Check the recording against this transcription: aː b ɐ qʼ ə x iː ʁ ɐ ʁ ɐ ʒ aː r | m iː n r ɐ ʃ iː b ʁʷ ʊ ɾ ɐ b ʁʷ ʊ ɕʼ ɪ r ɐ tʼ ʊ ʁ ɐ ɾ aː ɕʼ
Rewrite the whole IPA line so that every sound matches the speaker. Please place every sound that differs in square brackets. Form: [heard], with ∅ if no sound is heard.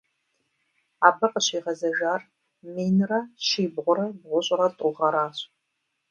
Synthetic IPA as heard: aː b ɐ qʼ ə [ɕ] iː ʁ ɐ [z] ɐ ʒ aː r | m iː n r ɐ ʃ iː b ʁʷ ʊ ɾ ɐ b ʁʷ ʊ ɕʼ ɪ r ɐ tʼ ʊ ʁ ɐ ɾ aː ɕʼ